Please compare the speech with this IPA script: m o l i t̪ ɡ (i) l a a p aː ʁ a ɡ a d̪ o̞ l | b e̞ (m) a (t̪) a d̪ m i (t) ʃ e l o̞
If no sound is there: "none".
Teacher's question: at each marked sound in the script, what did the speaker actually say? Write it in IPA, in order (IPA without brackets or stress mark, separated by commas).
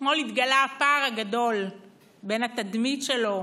a, n, t̪, t